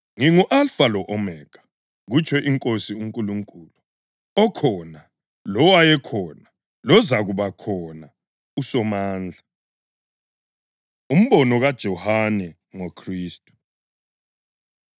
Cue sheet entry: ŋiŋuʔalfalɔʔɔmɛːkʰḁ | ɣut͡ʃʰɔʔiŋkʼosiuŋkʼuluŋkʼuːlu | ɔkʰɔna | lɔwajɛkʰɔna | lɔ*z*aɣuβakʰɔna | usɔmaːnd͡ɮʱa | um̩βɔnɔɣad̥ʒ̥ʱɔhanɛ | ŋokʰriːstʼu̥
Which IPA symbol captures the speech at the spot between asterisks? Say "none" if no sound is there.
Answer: z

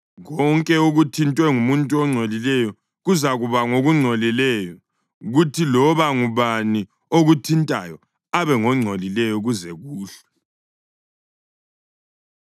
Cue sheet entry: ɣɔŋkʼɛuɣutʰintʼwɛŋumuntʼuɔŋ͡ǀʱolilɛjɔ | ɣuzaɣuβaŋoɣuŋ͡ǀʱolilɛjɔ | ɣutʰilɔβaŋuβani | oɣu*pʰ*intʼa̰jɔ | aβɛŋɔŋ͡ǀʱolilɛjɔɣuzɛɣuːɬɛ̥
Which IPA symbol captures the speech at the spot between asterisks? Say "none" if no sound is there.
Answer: tʰ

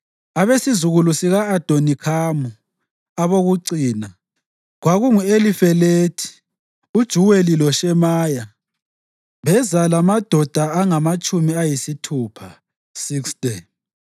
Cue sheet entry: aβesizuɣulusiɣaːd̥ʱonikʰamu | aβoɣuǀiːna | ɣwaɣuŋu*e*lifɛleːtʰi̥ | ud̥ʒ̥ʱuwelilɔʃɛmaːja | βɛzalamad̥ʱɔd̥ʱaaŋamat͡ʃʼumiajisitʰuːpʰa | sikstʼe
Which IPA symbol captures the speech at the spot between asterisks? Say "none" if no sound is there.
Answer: e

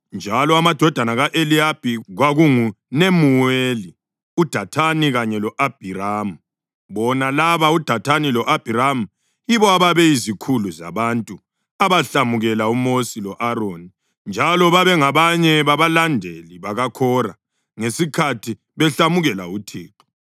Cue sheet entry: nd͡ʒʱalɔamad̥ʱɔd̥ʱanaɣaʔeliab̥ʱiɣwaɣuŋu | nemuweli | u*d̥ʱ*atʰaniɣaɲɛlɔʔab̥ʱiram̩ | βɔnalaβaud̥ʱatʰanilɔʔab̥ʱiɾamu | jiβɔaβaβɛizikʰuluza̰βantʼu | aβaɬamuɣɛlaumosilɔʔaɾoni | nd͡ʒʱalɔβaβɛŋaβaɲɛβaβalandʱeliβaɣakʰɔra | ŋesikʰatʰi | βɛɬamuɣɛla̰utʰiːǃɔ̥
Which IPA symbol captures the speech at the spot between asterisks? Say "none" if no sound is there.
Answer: d̥ʱ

